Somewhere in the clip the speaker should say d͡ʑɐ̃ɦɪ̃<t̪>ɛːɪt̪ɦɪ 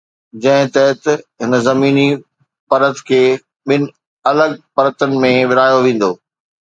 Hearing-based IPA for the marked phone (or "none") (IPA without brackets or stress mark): t̪